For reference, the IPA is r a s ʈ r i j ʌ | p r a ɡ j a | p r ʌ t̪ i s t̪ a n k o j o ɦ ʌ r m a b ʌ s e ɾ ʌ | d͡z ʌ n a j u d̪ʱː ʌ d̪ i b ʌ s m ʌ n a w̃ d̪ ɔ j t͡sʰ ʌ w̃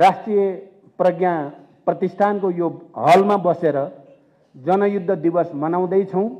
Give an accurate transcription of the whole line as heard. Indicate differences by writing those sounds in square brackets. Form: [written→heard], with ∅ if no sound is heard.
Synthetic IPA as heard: r a s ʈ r i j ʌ | p r [a→ʌ] ɡ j a | p r ʌ t̪ i s [t̪→t̪ʰ] a n k o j o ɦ ʌ [r→l] m a b ʌ s e ɾ ʌ | d͡z ʌ n [a→ʌ] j u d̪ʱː ʌ d̪ i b ʌ s m ʌ n a w̃ d̪ [ɔ→ʌ] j t͡sʰ ʌ w̃